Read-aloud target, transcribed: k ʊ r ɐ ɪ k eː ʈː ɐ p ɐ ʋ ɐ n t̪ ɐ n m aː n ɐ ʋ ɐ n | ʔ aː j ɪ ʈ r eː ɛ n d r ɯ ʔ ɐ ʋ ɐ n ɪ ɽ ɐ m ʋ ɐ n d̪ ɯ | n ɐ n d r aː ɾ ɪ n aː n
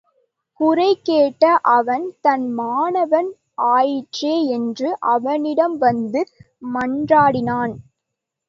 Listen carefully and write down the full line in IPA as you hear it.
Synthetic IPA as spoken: k ʊ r ɐ ɪ k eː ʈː ɐ ʔ ɐ ʋ ɐ n t̪ ɐ n m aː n ɐ ʋ ɐ n | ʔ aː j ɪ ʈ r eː ɛ n d r ɯ ʔ ɐ ʋ ɐ n ɪ ɽ ɐ m ʋ ɐ n d̪ ɯ | m ɐ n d r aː ɽ ɪ n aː n